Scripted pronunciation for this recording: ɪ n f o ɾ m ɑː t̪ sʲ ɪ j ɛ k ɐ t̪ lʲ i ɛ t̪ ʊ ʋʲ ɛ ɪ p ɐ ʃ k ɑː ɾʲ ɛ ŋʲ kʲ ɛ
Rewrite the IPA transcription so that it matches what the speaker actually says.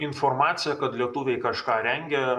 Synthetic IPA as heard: ɪ n f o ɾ m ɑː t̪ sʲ ɪ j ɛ k ɐ t̪ lʲ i ɛ t̪ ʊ ʋʲ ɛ ɪ k ɐ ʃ k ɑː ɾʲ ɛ ŋʲ ɡʲ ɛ